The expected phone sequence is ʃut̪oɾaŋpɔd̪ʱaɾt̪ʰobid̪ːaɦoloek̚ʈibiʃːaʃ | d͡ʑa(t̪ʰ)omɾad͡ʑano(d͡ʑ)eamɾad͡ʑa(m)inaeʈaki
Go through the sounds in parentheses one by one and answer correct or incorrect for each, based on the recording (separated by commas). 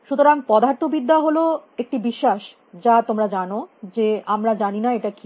incorrect, correct, incorrect